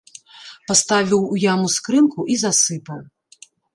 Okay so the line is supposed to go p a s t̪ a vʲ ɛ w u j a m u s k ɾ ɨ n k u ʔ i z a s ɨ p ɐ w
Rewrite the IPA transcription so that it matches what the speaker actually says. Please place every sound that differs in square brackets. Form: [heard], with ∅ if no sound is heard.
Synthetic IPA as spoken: p a s t̪ a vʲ [i] w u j a m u s k ɾ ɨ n k u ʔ i z a s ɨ p ɐ w